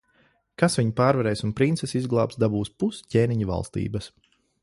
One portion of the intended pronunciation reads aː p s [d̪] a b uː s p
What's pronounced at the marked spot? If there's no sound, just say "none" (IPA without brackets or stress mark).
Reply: d̪